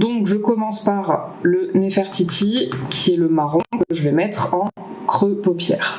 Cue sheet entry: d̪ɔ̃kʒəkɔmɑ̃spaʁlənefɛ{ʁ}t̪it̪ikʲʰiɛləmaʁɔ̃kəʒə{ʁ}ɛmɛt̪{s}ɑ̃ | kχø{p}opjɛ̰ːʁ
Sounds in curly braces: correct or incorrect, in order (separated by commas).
correct, incorrect, incorrect, correct